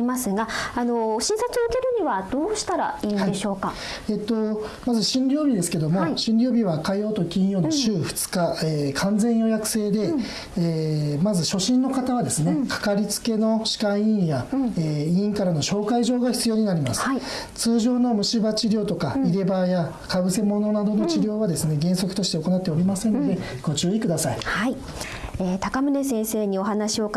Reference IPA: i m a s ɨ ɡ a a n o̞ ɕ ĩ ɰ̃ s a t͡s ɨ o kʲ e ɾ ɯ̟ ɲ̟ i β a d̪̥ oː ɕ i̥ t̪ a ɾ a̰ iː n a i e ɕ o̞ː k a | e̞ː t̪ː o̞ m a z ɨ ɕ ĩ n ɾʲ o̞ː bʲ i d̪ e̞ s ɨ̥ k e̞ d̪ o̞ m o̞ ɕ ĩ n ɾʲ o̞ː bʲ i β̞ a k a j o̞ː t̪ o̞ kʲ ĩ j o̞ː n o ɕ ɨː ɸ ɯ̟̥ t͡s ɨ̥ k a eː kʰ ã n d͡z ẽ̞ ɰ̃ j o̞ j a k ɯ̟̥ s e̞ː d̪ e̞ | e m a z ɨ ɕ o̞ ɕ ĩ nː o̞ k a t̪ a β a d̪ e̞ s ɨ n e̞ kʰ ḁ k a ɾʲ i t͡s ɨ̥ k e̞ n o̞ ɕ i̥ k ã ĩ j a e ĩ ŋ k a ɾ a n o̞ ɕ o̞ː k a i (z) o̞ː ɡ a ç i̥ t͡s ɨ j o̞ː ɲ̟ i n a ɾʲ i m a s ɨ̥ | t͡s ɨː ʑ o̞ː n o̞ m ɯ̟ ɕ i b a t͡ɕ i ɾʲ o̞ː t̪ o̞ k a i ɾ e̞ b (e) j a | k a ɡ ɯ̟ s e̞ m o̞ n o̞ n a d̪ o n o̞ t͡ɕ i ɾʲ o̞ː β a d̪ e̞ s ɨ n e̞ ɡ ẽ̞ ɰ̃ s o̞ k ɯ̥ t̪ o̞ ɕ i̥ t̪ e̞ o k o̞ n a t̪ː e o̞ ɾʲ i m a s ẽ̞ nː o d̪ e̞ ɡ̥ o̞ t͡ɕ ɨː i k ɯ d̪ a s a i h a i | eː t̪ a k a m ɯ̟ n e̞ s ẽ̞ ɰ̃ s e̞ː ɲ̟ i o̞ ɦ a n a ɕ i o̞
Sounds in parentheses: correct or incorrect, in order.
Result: incorrect: ʑ, incorrect: a

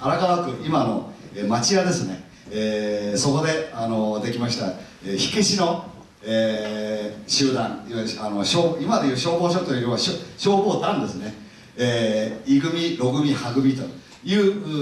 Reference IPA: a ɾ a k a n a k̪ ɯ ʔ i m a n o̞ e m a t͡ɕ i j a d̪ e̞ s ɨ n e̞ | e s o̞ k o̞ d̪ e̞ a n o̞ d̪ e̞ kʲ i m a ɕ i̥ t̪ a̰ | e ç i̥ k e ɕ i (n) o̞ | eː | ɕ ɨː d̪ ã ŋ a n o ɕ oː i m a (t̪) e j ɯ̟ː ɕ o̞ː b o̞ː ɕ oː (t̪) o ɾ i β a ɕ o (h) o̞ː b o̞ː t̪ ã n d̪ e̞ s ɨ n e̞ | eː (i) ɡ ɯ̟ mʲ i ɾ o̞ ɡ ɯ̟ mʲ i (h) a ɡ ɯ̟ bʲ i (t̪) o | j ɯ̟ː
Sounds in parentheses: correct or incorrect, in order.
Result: correct, incorrect: d̪, correct, incorrect: ɕ, correct, correct, correct

